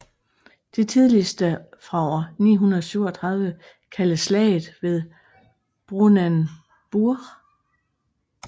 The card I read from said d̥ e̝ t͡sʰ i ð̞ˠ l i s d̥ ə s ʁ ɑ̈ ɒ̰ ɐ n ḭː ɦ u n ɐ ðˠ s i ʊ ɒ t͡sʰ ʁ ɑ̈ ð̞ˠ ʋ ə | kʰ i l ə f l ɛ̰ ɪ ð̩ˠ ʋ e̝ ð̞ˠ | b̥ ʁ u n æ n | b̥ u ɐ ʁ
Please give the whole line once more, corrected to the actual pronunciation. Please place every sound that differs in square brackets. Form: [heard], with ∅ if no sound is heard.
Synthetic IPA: d̥ e̝ t͡sʰ i ð̞ˠ l i s d̥ ə [f] ʁ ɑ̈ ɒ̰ ɐ n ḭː ɦ u n ɐ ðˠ s [y] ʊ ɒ t͡sʰ ʁ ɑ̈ ð̞ˠ ʋ ə | kʰ [æ] l ə [s] l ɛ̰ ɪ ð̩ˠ ʋ e̝ ð̞ˠ | b̥ ʁ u n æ n | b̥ u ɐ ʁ